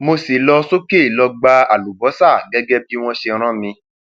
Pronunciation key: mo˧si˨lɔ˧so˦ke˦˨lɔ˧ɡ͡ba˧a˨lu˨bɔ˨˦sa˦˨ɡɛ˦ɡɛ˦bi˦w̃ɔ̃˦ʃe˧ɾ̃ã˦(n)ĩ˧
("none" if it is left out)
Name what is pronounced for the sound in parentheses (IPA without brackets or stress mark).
m